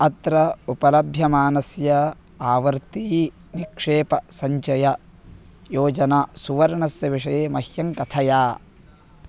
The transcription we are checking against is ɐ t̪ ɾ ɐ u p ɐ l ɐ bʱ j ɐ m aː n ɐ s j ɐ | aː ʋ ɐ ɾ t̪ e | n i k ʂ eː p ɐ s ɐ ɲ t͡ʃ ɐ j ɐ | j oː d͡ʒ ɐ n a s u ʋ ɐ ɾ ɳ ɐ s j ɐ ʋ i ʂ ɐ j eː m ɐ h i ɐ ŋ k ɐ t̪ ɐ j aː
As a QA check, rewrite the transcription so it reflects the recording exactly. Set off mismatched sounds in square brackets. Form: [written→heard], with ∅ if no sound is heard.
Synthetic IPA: ɐ t̪ ɾ ɐ u p ɐ l ɐ bʱ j ɐ m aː n ɐ s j ɐ | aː ʋ ɐ ɾ t̪ [e→i] | n i k ʂ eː p ɐ s ɐ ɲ t͡ʃ ɐ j ɐ | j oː d͡ʒ ɐ n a s u ʋ ɐ ɾ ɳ ɐ s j ɐ ʋ i ʂ ɐ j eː m ɐ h [i→j] ɐ ŋ k ɐ [t̪→t̪ʰ] ɐ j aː